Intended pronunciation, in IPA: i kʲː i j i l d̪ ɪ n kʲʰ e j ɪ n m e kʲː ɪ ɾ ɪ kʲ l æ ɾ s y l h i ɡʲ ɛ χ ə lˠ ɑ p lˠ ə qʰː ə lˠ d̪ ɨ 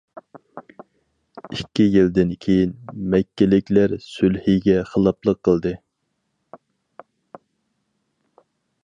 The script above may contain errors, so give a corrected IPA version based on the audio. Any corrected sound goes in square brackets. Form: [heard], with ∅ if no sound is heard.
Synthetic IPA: i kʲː i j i l d̪ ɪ n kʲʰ e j [i] n m [ɛ] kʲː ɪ [l] ɪ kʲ l æ ɾ s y l h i ɡʲ ɛ χ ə lˠ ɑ p lˠ ə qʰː ə lˠ d̪ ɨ